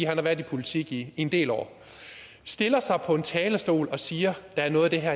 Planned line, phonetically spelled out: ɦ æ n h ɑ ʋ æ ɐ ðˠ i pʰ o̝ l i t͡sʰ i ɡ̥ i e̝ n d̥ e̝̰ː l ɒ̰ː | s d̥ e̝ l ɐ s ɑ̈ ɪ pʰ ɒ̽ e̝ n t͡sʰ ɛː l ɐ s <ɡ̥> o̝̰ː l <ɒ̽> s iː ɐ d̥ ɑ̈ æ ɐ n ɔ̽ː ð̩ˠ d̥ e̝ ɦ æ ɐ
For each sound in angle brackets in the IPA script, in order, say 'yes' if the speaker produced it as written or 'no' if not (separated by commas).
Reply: no, yes